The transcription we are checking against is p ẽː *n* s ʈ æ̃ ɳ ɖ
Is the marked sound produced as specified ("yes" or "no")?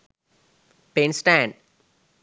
yes